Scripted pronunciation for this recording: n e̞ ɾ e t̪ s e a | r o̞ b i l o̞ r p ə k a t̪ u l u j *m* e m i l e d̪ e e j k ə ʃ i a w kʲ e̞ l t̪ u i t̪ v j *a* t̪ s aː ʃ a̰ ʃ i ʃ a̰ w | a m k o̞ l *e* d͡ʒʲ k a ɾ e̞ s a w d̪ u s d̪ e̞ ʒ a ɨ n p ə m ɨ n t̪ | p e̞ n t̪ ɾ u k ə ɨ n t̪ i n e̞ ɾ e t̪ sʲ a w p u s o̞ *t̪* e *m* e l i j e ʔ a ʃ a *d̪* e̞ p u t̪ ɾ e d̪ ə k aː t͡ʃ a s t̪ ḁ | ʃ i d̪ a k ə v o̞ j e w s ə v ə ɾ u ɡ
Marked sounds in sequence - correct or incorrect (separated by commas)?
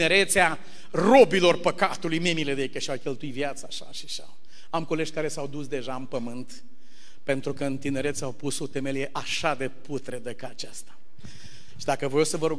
correct, correct, correct, correct, correct, correct